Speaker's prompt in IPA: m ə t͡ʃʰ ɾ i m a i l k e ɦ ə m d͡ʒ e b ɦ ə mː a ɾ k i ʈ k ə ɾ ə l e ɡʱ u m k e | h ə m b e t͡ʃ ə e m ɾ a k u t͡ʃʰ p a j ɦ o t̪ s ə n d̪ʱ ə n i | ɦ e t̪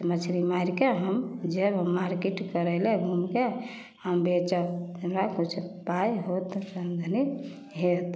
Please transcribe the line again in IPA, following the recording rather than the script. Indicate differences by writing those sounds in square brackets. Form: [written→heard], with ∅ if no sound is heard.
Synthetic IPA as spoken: m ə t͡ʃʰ ɾ i m a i [l→ɾ] k e ɦ ə m d͡ʒ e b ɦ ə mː a ɾ k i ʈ k ə ɾ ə l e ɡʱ u m k e | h ə m b e t͡ʃ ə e m ɾ a k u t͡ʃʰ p a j ɦ o t̪ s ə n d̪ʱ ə n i | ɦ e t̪